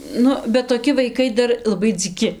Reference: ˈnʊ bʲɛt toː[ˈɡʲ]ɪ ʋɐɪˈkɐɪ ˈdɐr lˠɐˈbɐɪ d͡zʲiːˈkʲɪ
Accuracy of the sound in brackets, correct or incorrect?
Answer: incorrect: kʲ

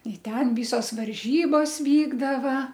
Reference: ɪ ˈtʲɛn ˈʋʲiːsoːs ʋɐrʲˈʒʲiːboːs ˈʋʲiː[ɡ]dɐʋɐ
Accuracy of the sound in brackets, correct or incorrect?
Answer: correct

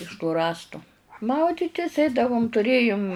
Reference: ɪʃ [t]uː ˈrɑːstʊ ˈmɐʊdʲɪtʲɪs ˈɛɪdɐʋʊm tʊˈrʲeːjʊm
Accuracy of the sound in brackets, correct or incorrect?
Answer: correct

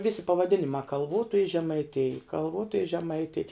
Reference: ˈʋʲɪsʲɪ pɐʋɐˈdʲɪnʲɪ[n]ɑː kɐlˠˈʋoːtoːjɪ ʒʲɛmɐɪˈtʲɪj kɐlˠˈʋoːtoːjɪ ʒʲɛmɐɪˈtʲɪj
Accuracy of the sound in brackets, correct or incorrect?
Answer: incorrect: m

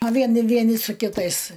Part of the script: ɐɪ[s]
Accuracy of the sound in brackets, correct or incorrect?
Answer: correct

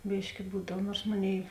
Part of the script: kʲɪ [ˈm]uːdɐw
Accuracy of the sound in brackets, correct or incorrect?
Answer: incorrect: b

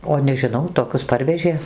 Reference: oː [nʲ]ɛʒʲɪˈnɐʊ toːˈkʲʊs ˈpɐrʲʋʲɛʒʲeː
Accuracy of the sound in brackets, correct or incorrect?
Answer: correct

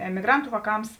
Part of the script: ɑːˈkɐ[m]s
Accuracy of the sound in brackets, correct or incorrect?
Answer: correct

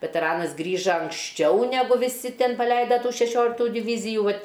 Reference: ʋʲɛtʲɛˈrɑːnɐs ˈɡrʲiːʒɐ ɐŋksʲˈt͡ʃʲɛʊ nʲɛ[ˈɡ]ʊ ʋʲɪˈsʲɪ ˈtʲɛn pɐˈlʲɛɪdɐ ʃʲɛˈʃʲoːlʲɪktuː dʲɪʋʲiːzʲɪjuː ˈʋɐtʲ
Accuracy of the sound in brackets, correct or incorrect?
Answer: correct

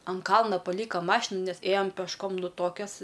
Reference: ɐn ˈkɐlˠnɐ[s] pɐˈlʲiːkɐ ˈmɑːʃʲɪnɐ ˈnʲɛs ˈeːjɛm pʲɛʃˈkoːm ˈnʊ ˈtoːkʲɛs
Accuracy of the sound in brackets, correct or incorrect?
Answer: incorrect: none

